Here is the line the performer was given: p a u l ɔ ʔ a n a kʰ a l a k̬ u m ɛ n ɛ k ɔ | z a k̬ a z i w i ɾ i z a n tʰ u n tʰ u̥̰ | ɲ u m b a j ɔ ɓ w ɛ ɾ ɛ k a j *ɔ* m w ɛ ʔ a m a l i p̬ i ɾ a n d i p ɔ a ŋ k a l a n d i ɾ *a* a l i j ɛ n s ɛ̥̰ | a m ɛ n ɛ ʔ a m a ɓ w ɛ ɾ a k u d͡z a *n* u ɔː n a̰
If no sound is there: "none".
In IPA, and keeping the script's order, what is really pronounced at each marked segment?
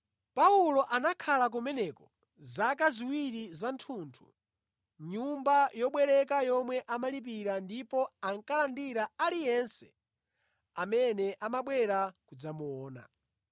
ɔ, a, m

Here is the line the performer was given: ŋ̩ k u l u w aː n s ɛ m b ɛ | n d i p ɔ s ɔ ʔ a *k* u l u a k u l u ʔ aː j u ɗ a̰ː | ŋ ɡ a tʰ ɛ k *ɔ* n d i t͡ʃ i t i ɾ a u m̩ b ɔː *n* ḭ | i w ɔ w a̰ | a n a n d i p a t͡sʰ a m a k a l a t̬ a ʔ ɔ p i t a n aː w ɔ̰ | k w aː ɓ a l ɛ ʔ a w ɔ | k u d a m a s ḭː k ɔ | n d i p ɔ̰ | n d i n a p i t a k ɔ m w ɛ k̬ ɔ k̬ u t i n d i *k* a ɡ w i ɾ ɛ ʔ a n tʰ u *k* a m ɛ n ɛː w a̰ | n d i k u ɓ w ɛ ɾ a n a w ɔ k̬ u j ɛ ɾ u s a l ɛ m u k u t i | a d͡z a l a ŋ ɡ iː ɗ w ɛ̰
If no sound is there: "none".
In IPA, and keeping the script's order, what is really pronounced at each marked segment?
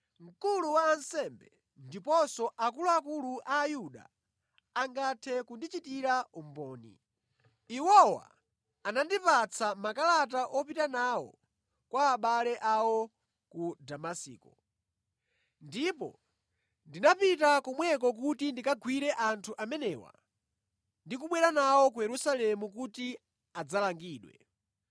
k, u, n, k, ʔ

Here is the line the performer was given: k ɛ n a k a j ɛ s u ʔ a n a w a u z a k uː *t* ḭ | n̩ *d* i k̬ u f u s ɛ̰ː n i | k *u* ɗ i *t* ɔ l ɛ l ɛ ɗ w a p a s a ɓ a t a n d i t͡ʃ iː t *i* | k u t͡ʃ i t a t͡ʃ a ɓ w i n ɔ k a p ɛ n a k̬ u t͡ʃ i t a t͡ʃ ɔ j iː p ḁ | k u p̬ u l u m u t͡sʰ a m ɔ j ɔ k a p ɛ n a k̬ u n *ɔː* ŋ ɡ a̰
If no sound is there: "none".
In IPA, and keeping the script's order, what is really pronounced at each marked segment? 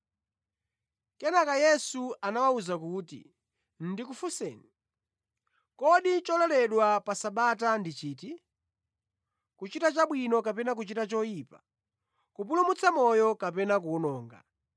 t, d, ɔ, t͡ʃ, i, ɔː

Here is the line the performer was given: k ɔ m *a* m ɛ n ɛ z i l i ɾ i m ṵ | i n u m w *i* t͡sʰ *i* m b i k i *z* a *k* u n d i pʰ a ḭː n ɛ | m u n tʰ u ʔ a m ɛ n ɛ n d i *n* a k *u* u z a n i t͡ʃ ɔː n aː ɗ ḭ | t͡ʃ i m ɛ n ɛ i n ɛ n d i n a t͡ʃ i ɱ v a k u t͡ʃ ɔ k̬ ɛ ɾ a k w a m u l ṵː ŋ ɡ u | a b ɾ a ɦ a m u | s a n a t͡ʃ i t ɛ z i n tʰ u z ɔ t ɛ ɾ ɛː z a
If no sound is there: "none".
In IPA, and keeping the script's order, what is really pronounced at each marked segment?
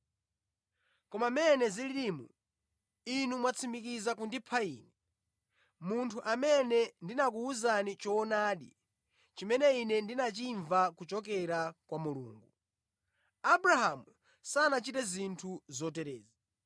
a, a, i, z, k, n, u

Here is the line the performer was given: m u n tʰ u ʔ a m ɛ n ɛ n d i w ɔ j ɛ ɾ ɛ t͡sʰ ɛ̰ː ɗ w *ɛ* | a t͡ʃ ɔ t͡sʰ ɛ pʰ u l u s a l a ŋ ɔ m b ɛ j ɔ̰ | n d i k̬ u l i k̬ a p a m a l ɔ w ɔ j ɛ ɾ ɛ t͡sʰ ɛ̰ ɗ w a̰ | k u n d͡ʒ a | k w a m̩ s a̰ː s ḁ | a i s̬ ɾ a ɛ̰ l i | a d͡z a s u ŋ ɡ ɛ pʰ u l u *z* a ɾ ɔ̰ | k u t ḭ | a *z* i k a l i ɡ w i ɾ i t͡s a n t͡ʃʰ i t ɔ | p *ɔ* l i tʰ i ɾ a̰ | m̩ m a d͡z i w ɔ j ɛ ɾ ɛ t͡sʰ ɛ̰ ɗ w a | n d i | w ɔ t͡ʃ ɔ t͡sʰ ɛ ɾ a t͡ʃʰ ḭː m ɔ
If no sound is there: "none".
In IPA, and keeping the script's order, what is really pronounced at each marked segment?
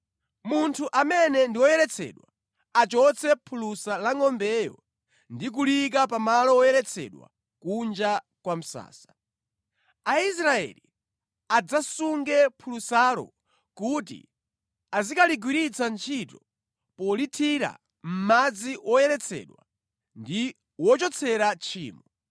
a, s, z, ɔ

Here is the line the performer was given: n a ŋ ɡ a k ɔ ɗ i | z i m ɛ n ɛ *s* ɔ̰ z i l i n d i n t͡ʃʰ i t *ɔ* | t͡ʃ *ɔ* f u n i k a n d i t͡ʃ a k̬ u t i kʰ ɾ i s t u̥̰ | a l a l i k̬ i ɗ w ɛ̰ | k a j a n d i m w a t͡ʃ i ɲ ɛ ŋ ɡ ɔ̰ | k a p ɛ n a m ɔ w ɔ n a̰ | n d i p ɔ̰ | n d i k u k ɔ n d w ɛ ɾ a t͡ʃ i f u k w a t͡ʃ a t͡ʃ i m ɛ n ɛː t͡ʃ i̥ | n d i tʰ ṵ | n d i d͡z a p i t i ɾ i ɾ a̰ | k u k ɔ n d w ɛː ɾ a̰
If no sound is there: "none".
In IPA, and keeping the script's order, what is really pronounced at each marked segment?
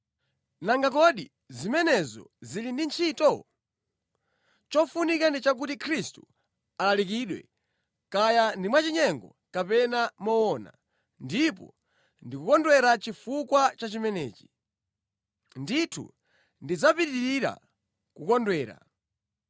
z, ɔ, ɔ

